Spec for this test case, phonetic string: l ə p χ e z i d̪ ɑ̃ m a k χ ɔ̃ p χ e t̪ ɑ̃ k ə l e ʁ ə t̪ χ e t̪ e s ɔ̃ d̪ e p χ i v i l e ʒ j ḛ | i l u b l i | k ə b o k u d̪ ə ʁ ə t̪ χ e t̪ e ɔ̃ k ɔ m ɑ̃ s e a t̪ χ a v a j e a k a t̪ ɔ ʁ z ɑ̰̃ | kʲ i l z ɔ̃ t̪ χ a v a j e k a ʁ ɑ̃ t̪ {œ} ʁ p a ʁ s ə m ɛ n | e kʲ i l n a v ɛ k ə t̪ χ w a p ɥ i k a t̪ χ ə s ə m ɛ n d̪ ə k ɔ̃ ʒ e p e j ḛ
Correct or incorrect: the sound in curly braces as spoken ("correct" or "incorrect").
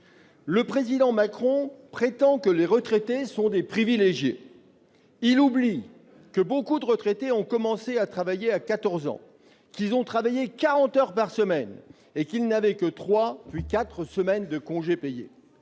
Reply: correct